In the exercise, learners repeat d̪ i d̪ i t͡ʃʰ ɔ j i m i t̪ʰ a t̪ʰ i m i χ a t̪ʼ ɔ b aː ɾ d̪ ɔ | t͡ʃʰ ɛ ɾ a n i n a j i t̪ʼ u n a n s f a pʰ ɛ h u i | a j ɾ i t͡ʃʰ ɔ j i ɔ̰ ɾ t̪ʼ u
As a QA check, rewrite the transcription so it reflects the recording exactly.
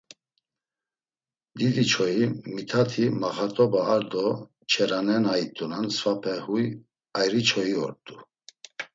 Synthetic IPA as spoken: d̪ i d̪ i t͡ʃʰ ɔ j i m i t̪ʰ a t̪ʰ i m a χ a t̪ʼ ɔ b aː ɾ d̪ ɔ | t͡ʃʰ ɛ ɾ a n ɛ n a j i t̪ʼ u n a n s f a pʰ ɛ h u j | a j ɾ i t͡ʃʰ ɔ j i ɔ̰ ɾ t̪ʼ u